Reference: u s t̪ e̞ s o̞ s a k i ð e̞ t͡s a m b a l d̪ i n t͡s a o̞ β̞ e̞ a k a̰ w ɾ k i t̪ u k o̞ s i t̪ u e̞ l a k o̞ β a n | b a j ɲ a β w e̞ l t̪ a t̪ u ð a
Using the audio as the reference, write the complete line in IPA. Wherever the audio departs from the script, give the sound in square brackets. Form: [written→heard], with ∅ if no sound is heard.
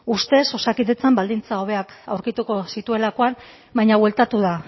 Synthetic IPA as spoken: u s t̪ e̞ s o̞ s a k i ð e̞ t͡s a m b a l d̪ i n t͡s a o̞ β̞ e̞ a k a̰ w ɾ k i t̪ u k o̞ s i t̪ u e̞ l a k o̞ [β→∅] a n | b a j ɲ a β w e̞ l t̪ a t̪ u ð a